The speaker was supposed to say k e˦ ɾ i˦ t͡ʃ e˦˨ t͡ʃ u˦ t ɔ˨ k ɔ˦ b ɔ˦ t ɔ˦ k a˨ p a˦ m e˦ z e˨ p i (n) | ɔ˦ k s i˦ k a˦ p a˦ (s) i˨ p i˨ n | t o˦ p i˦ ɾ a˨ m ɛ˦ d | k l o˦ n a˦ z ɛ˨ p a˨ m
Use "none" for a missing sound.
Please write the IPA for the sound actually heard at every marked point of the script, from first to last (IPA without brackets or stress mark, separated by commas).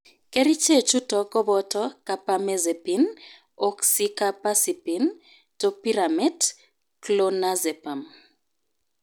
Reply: n, s